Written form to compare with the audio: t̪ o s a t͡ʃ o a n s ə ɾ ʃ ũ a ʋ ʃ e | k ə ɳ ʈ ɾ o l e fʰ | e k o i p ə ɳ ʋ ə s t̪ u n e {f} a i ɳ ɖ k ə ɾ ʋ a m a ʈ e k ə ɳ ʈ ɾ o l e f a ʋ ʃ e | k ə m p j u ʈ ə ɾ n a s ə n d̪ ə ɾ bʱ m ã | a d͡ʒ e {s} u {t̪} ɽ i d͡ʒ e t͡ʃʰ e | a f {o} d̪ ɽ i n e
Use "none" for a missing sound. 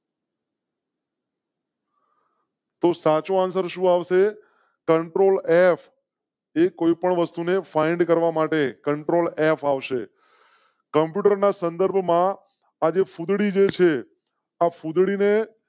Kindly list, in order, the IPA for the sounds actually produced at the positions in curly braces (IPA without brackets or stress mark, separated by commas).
f, f, d̪, u